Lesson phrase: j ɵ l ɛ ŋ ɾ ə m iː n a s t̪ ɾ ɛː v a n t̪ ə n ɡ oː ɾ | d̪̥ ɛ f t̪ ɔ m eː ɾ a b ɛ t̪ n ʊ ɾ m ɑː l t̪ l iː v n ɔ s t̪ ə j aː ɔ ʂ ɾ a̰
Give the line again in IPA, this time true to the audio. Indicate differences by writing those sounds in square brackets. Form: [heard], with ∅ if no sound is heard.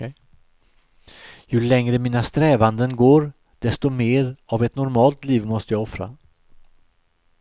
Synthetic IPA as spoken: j ɵ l ɛ ŋ ɾ ə m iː n a s t̪ ɾ ɛː v a n [d̪] ə n ɡ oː ɾ | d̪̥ ɛ [s] t̪ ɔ m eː ɾ a [v] ɛ t̪ n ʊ ɾ m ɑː l t̪ l iː v [m] ɔ s t̪ ə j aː ɔ [f] ɾ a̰

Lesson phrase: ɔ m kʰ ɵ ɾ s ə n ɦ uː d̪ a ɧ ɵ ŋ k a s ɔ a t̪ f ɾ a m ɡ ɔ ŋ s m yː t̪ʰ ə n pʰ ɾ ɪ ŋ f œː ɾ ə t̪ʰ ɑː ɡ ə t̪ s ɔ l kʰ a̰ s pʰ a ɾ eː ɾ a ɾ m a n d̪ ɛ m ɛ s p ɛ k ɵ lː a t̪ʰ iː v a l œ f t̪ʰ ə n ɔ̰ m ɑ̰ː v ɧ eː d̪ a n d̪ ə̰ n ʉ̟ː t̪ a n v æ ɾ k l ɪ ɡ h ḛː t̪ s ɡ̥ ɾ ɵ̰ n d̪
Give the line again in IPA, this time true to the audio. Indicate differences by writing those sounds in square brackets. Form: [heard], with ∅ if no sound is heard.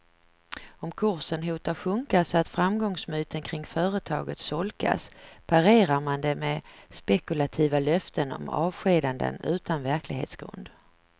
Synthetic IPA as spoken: ɔ m kʰ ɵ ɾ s ə n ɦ uː [t̪] a ɧ ɵ ŋ k a s ɔ a t̪ f ɾ a m ɡ ɔ ŋ s m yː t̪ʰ ə n [kʰ] ɾ ɪ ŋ f œː ɾ ə t̪ʰ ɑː ɡ ə t̪ s ɔ l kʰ a̰ s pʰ a ɾ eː ɾ a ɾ m a n d̪ ɛ m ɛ s p ɛ k ɵ [l] a t̪ʰ iː v a l œ f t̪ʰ ə n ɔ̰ m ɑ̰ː v ɧ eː d̪ a n d̪ ə̰ n ʉ̟ː t̪ a n v æ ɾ k l ɪ ɡ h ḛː t̪ s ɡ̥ ɾ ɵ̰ n d̪

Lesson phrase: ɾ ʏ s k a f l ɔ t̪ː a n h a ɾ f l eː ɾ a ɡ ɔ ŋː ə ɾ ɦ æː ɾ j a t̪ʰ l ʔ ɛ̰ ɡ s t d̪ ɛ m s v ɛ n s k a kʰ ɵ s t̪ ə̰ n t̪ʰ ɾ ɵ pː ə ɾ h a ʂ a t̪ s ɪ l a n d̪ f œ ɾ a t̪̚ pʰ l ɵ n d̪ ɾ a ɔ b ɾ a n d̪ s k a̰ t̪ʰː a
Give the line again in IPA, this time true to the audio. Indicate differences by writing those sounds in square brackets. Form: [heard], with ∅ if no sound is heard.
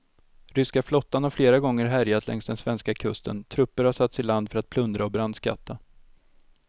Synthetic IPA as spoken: ɾ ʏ s k a f l ɔ t̪ː a n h a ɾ f l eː ɾ a ɡ ɔ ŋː ə ɾ ɦ [æ] ɾ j a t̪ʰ l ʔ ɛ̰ [ŋ] s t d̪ ɛ [n] s v ɛ n s k a kʰ ɵ s t̪ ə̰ n t̪ʰ ɾ ɵ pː ə ɾ h a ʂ a t̪ s ɪ l a n d̪ f œ ɾ a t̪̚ pʰ l ɵ n d̪ ɾ a ɔ b ɾ a n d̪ s k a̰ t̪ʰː a

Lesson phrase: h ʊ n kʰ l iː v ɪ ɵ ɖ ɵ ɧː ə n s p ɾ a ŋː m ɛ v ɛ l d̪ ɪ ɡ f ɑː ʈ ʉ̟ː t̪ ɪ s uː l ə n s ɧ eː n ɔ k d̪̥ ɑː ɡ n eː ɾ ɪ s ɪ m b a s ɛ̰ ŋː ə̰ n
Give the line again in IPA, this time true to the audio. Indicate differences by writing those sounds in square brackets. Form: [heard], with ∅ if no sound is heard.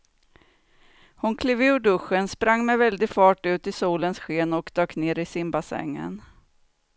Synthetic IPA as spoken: h ʊ n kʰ l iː v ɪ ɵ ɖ ɵ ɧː ə n s p ɾ a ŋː m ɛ v ɛ l d̪ ɪ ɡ f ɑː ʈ ʉ̟ː t̪ ɪ s uː l ə n s ɧ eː n ɔ k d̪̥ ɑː [k] n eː ɾ ɪ s ɪ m b a s ɛ̰ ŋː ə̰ n

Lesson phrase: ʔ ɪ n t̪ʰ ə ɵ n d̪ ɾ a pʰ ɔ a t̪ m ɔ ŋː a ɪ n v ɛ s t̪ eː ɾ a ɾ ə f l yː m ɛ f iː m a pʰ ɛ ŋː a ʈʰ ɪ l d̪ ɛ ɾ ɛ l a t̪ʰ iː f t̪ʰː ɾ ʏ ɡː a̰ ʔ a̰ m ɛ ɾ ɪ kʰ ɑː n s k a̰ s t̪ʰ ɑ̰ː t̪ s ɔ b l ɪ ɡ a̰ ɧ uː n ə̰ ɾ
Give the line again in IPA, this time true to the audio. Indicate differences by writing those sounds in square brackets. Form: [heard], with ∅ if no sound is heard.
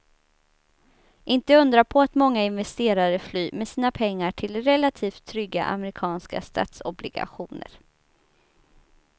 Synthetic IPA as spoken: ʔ ɪ n [t̪] ə ɵ n d̪ ɾ a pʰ ɔ a t̪ m ɔ ŋː a ɪ n v ɛ s t̪ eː ɾ a ɾ ə f l yː m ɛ [s] iː [n] a pʰ ɛ ŋː a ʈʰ ɪ l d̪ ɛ ɾ ɛ l a t̪ʰ iː f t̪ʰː ɾ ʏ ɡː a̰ ʔ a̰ m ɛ ɾ ɪ kʰ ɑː n s k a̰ s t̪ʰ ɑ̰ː t̪ s ɔ b l ɪ ɡ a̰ ɧ uː n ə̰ ɾ

